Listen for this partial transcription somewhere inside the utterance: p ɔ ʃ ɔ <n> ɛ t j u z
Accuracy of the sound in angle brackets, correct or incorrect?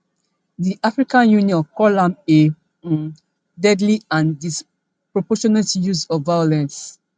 correct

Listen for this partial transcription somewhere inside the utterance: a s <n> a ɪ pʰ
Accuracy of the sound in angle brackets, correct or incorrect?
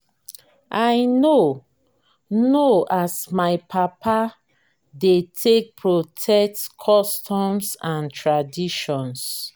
incorrect: m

